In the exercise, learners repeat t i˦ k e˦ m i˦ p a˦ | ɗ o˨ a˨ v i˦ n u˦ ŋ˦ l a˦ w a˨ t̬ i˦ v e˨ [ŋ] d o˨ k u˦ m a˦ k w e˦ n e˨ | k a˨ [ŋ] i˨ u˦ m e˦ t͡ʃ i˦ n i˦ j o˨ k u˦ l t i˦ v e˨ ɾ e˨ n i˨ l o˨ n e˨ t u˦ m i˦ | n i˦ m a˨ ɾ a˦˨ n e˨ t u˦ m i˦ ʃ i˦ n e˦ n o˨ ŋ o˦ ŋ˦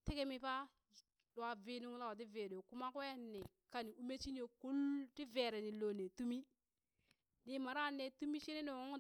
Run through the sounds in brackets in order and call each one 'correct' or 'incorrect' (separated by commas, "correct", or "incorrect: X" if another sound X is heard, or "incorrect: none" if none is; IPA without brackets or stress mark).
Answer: incorrect: none, incorrect: n